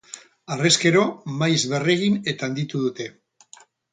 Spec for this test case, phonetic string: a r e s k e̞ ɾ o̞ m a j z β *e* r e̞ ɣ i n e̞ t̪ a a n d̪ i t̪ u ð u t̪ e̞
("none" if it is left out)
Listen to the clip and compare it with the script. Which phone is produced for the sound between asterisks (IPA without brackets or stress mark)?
e